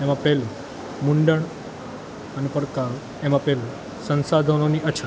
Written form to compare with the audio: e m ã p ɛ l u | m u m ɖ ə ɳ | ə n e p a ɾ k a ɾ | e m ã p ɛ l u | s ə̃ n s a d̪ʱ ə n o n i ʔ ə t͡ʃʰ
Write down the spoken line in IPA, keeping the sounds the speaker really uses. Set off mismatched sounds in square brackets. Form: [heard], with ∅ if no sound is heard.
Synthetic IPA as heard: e m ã p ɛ l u | m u [ɳ] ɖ ə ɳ | ə n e p [ə] ɾ k a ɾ | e m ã p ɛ l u | s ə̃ n s a d̪ʱ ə n o n i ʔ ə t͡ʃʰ